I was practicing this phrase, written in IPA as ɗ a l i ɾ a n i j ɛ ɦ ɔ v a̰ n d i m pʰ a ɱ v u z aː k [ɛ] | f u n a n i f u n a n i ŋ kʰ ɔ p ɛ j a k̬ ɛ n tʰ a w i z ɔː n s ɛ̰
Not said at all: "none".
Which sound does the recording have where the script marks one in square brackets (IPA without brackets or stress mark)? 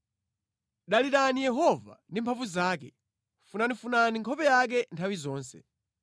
ɛ